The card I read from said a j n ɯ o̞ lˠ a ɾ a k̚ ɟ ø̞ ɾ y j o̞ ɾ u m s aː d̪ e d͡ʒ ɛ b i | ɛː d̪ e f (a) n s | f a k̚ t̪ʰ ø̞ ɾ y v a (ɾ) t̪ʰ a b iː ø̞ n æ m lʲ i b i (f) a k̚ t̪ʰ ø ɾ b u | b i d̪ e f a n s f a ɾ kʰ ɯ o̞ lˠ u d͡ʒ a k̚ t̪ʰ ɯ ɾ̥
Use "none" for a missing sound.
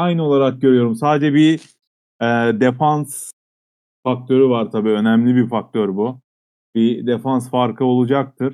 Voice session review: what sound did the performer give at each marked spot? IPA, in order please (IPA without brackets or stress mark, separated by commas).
a, ɾ, f